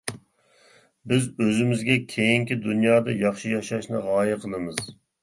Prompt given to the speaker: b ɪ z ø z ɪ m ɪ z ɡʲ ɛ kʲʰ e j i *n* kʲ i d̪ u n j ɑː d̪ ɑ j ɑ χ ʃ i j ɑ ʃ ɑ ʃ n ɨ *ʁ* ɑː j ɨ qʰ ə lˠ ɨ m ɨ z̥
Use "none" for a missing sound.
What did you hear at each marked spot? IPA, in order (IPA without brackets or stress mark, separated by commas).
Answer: ŋ, ʁ